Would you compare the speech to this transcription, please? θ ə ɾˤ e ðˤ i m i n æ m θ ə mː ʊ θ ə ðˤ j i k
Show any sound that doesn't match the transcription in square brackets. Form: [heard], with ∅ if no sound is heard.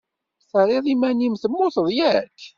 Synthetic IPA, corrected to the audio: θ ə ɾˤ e ðˤ i m [æ] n [i] m θ ə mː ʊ θ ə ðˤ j [æ] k